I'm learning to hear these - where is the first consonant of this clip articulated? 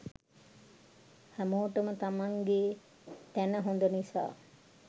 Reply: throat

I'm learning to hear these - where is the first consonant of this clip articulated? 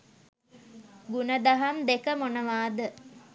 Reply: velum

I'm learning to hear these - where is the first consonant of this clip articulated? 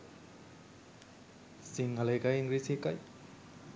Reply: tongue tip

